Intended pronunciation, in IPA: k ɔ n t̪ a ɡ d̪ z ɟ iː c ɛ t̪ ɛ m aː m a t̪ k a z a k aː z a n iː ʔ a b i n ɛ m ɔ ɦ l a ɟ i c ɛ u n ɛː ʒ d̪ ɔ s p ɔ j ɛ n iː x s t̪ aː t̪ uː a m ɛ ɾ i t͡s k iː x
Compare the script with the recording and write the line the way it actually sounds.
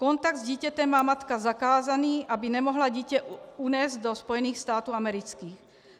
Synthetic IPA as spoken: k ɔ n t̪ a ɡ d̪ z ɟ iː c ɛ t̪ ɛ m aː m a t̪ k a z a k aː z a n iː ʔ a b i n ɛ m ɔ ɦ l a ɟ i c ɛ u n ɛː z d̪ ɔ s p ɔ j ɛ n iː x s t̪ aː t̪ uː a m ɛ ɾ i t͡s k iː x